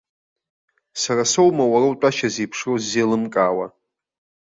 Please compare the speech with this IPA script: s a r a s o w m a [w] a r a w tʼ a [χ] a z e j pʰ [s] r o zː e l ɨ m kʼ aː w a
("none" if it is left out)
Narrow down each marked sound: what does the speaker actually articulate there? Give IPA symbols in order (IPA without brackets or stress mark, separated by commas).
w, ʃ, ʂ